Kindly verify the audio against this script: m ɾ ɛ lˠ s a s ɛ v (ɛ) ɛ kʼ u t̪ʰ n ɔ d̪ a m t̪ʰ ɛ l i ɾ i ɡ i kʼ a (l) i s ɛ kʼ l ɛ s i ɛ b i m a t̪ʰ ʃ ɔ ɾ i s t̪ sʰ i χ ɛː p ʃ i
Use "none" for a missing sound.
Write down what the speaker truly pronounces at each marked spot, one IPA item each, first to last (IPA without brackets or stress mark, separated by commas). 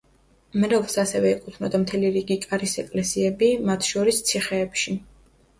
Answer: ɛ, ɾ